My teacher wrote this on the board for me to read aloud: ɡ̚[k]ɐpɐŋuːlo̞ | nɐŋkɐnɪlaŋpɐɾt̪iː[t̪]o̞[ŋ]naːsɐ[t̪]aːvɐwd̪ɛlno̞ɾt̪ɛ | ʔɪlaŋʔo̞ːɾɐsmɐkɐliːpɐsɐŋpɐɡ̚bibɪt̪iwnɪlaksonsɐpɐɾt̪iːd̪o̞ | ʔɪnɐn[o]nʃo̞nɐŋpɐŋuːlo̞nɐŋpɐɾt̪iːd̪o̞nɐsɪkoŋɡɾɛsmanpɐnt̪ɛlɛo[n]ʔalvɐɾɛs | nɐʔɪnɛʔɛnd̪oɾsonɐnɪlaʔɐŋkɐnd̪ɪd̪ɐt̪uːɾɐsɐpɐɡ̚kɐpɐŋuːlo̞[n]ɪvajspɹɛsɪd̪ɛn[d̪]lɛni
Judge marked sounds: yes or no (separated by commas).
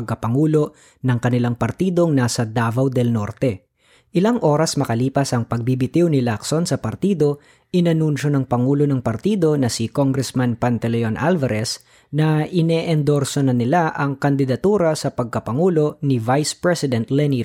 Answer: yes, no, yes, no, no, yes, yes, no